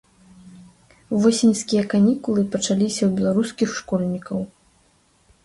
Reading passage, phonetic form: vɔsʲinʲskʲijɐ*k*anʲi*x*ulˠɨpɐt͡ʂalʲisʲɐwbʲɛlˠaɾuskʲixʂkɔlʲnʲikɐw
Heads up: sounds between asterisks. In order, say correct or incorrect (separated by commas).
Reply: correct, incorrect